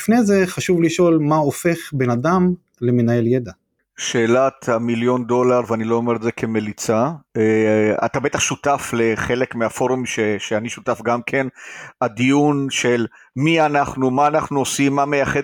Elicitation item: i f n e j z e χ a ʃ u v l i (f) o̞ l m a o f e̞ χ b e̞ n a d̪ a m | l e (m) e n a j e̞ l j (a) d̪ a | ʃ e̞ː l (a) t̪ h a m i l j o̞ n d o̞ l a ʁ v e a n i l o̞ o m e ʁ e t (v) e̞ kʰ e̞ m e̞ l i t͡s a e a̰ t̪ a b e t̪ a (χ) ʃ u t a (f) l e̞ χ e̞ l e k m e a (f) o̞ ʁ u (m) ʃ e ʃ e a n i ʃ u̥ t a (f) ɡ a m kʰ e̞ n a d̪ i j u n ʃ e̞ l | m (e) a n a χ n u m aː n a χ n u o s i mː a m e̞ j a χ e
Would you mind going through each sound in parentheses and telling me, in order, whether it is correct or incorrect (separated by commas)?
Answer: incorrect, correct, incorrect, correct, incorrect, correct, correct, correct, correct, correct, incorrect